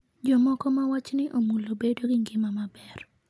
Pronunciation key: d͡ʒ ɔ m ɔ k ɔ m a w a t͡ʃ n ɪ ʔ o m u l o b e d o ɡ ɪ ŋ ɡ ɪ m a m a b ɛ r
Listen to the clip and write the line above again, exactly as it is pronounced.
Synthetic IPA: d͡ʒ ɔ m ɔ k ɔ m a w a t͡ʃ n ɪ ʔ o m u l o b e d o ɡ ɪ ŋ ɡ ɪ m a m a b ɛ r

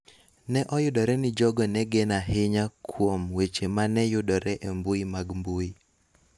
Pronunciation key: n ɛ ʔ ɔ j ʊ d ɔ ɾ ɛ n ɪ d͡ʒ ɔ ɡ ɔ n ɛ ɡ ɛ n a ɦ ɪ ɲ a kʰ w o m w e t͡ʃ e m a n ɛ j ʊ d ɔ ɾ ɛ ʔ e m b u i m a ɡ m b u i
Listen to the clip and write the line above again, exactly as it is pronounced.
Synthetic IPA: n ɛ ʔ ɔ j ʊ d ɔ ɾ ɛ n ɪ d͡ʒ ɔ ɡ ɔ n ɛ ɡ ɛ n a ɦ ɪ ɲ a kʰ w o m w e t͡ʃ e m a n ɛ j ʊ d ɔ ɾ ɛ ʔ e m b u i m a ɡ m b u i

